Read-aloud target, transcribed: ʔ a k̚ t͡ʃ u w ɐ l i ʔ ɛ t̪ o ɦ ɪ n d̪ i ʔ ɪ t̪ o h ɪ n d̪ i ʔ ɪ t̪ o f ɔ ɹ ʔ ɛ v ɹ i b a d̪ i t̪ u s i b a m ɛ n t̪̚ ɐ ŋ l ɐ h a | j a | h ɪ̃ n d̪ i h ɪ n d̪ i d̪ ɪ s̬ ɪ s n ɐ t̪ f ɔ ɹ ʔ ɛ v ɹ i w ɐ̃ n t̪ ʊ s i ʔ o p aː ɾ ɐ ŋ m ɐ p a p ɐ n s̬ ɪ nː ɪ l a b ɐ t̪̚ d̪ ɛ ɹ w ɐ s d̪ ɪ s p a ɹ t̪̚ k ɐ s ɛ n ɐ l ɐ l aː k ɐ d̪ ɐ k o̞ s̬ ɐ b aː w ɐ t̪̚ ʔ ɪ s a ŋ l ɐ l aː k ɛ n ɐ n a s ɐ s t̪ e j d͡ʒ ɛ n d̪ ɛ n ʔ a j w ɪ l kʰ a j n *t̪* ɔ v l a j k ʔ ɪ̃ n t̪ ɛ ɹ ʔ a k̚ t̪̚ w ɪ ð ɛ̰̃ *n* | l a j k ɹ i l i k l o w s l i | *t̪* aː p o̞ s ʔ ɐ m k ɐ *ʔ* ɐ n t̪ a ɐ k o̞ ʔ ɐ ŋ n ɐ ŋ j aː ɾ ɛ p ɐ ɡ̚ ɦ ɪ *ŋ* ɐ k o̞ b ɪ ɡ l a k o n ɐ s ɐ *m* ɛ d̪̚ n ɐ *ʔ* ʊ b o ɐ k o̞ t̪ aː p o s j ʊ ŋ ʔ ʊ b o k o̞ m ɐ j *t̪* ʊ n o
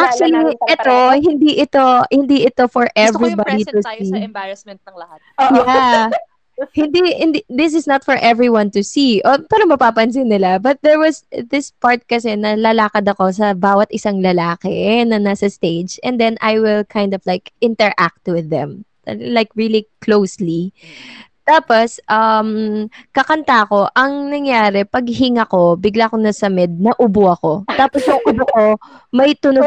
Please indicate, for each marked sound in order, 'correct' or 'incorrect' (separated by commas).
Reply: incorrect, incorrect, correct, incorrect, correct, correct, correct, correct